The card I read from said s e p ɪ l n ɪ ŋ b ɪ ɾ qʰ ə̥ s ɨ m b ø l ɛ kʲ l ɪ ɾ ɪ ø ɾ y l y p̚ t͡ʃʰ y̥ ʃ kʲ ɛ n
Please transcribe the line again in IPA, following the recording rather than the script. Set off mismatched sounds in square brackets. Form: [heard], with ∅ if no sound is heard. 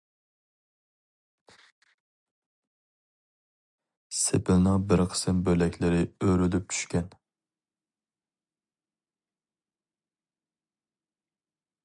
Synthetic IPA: s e p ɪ l n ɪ ŋ b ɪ ɾ qʰ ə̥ s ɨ m b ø l ɛ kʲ l ɪ ɾ ɪ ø ɾ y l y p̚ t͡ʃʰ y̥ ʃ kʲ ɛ n

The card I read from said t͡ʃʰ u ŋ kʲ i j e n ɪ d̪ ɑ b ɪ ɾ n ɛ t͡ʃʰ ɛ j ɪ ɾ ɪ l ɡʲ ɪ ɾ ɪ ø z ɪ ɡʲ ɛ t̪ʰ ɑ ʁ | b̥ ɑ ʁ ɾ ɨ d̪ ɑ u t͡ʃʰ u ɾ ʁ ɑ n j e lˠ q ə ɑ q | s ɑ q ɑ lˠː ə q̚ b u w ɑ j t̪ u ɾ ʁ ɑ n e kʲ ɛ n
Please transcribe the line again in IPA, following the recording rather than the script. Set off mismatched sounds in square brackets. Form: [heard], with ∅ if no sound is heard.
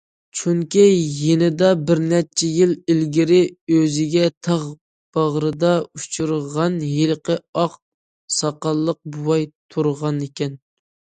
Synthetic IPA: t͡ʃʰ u ŋ kʲ i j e n ɪ d̪ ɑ b ɪ ɾ n ɛ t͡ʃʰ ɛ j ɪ [l] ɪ l ɡʲ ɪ ɾ ɪ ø z ɪ ɡʲ ɛ t̪ʰ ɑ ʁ | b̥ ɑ ʁ ɾ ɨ d̪ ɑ u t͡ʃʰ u ɾ ʁ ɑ n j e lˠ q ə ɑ q | s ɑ q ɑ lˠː ə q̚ b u w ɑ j [t̪ʰ] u ɾ ʁ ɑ n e kʲ ɛ n

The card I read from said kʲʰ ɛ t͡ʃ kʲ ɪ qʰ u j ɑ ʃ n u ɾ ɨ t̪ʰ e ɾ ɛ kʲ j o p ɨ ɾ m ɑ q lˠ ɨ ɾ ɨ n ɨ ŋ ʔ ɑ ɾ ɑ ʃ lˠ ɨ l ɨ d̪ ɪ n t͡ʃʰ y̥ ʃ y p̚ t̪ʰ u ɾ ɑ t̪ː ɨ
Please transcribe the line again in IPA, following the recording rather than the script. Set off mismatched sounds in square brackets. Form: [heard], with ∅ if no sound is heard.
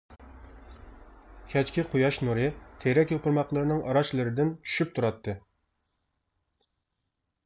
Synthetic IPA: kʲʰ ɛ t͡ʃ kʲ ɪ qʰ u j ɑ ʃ n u ɾ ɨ t̪ʰ e ɾ ɛ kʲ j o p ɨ ɾ m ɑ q lˠ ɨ ɾ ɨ n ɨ ŋ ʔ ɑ ɾ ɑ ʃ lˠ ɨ [ɾ] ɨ d̪ ɪ n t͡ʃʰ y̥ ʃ y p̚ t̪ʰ u ɾ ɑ t̪ː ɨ

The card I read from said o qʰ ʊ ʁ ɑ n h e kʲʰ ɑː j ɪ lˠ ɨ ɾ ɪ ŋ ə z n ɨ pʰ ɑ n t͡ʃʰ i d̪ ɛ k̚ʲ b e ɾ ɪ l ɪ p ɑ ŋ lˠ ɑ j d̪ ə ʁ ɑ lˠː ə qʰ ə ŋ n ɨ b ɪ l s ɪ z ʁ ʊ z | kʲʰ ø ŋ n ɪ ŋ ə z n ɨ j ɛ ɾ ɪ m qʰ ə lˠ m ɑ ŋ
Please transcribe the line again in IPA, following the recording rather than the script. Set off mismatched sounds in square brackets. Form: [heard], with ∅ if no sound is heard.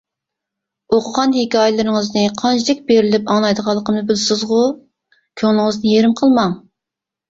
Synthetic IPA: o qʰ ʊ ʁ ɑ n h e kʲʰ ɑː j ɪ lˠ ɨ ɾ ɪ ŋ ə z n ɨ [qʰ] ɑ n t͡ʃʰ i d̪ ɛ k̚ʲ b e ɾ ɪ l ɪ p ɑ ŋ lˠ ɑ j d̪ ə ʁ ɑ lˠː ə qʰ ə [m] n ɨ b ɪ l s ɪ z ʁ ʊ [∅] | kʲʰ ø ŋ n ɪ ŋ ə z n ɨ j [e] ɾ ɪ m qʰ ə lˠ m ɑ ŋ

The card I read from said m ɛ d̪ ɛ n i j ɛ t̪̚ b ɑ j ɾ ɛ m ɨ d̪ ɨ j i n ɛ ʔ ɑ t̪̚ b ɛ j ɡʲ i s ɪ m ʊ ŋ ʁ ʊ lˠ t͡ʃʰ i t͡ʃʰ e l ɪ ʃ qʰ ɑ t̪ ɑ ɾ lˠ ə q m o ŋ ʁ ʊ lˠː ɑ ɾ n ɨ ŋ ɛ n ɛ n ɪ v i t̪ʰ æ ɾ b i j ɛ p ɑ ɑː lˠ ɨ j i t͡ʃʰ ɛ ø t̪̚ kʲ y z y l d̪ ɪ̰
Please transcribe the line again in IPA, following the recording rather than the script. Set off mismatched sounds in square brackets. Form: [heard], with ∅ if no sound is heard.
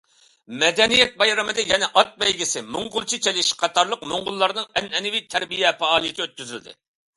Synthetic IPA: m ɛ d̪ ɛ n i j ɛ t̪̚ b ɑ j ɾ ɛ m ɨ d̪ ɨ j [ɛ] n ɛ ʔ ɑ t̪̚ b ɛ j ɡʲ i s ɪ m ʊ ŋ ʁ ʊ lˠ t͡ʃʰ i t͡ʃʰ e l ɪ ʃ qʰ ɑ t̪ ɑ ɾ lˠ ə q m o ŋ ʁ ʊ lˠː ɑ ɾ n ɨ ŋ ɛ n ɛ n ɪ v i t̪ʰ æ ɾ b i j ɛ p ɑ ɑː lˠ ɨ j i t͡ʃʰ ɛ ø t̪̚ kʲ y z y l d̪ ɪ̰

